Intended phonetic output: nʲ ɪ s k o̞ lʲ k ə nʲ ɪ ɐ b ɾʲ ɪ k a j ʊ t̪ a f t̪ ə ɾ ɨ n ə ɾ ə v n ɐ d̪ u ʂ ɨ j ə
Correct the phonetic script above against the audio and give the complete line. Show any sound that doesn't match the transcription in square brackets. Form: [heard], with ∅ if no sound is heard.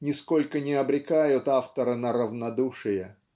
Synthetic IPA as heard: nʲ ɪ s k o̞ lʲ k ə nʲ ɪ ɐ b ɾʲ ɪ k a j ʊ t̪ a f t̪ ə ɾ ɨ n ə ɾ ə v n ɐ d̪ u ʂ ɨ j ə